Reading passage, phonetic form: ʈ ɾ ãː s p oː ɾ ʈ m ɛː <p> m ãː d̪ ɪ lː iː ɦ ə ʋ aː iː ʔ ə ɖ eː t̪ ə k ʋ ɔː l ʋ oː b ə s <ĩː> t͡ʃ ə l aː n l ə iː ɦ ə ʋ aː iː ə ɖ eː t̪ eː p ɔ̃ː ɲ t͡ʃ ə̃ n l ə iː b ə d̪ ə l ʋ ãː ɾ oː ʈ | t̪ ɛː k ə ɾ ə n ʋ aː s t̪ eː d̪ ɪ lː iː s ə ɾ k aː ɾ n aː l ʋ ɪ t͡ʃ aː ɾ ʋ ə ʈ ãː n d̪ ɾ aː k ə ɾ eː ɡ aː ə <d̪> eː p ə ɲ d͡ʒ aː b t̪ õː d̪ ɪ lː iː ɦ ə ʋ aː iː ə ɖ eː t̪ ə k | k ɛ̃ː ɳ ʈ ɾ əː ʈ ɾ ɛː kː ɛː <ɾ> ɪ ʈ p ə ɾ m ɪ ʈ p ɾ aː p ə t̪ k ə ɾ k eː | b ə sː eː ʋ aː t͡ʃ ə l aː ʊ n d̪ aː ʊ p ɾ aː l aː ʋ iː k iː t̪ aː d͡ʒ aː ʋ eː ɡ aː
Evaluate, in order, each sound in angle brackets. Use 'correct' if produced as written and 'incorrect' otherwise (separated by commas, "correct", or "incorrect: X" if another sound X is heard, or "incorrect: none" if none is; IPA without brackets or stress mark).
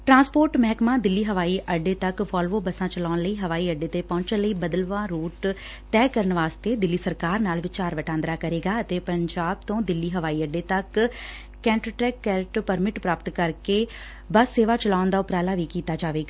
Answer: incorrect: k, incorrect: ãː, incorrect: t̪, correct